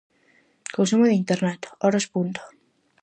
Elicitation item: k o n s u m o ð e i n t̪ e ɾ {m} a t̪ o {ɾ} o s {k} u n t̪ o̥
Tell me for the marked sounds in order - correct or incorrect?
incorrect: n, correct, incorrect: p

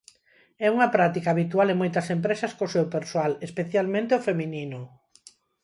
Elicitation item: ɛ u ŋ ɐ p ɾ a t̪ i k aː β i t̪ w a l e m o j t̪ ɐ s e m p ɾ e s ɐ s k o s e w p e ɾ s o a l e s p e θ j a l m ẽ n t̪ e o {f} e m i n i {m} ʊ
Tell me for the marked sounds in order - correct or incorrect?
correct, incorrect: n

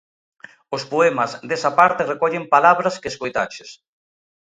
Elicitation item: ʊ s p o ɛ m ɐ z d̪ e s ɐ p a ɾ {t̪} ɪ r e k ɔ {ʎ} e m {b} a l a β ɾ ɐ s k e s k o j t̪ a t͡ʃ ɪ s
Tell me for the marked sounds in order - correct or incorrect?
correct, correct, incorrect: p

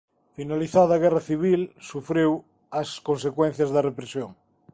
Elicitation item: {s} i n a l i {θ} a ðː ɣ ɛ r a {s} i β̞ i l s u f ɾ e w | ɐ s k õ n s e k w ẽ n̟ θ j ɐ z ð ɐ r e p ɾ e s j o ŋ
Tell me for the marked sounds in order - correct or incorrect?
incorrect: f, correct, incorrect: θ

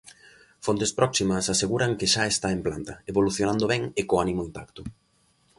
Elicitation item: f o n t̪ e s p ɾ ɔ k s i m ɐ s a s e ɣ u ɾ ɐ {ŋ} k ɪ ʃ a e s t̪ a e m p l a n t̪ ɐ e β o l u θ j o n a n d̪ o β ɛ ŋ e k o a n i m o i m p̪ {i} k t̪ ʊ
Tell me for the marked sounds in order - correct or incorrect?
correct, incorrect: a

